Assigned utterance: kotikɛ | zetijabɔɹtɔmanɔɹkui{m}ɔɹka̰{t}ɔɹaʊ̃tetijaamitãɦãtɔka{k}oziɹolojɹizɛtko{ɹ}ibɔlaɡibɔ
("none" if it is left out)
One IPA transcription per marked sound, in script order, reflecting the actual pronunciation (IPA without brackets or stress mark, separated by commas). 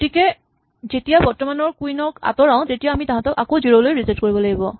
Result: n, t, k, ɹ